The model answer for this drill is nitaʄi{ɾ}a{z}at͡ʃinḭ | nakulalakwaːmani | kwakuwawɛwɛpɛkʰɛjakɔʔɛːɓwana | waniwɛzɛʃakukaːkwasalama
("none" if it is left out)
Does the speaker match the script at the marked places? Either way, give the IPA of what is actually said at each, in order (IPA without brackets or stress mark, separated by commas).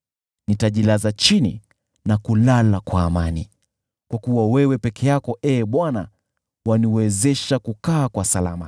l, z